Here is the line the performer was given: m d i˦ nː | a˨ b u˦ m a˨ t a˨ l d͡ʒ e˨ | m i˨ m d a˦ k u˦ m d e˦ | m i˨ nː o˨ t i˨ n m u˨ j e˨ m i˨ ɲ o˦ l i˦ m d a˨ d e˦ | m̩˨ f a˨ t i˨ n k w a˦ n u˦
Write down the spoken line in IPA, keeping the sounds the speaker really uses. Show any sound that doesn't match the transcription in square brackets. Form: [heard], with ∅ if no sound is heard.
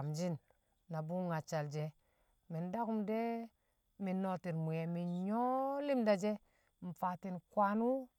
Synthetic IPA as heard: m [d͡ʒ] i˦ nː | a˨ b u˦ [ŋ] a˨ [t͡ʃ] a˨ l d͡ʒ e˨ | m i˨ [n] d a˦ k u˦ m d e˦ | m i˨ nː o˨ t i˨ n m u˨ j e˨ m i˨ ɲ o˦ l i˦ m d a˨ [d͡ʒ] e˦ | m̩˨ f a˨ t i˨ n k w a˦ n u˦